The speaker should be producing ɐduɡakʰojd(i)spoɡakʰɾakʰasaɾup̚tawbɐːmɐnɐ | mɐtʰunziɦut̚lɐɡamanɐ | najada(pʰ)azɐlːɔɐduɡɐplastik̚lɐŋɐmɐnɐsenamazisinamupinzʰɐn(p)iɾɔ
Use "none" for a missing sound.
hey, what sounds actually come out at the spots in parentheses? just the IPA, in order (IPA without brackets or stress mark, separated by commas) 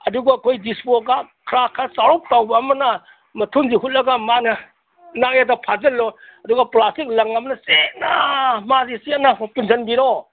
i, pʰ, b